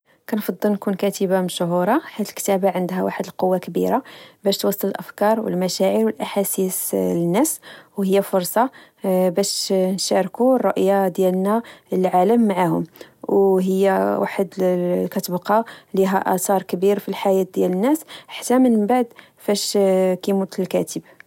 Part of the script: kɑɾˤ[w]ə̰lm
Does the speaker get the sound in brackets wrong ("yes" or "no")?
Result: no